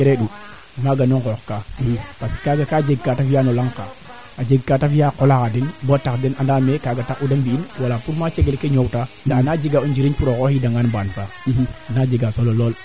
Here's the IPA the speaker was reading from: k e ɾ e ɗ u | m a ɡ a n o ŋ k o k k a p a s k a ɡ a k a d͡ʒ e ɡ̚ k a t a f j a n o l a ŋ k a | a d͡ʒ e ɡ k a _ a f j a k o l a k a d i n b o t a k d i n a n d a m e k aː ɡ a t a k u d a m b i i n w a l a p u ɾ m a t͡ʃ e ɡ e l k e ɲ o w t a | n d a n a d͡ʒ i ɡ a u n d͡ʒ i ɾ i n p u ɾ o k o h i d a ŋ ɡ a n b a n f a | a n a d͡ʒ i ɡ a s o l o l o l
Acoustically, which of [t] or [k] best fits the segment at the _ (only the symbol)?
t